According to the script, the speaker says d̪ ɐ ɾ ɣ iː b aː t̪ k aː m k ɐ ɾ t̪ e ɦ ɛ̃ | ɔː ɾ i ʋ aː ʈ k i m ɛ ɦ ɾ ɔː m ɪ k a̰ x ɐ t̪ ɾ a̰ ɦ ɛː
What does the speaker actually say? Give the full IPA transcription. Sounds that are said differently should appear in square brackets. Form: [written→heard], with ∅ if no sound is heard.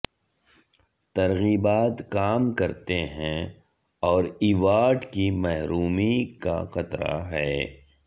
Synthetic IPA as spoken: [d̪→t̪] ɐ ɾ ɣ iː b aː t̪ k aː m k ɐ ɾ t̪ e ɦ ɛ̃ | ɔː ɾ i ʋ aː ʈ k i m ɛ ɦ ɾ [ɔː→uː] m [ɪ→i] k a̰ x ɐ t̪ ɾ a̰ ɦ ɛː